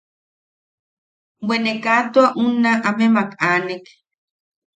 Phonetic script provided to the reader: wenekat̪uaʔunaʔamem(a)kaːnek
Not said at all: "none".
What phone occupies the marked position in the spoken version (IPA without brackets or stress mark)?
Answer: a